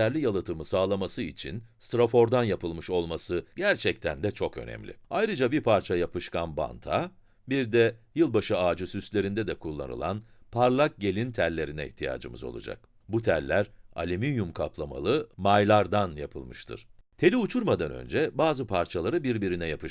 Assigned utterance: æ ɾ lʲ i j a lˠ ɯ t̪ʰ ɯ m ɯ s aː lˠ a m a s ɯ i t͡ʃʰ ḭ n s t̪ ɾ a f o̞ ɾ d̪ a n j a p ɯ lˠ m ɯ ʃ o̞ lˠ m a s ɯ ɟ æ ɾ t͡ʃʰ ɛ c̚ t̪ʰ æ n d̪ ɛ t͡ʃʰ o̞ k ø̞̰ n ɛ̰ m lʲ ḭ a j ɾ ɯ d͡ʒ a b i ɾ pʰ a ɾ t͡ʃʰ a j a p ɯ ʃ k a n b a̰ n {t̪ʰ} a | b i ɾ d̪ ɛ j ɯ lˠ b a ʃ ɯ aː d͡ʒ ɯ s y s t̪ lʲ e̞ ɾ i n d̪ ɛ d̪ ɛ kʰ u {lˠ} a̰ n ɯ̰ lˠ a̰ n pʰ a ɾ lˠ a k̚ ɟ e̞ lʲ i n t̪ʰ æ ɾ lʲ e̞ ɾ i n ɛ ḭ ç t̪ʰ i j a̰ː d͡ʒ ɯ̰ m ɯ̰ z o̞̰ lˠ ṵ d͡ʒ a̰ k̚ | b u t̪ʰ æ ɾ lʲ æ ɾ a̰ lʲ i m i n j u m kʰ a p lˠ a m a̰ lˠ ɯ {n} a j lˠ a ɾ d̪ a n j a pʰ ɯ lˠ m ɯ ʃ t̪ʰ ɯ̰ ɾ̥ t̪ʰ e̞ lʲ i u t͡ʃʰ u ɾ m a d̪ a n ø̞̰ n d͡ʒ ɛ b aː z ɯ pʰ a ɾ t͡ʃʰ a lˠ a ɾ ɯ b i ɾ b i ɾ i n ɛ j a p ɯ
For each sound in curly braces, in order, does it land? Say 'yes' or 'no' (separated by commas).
yes, no, no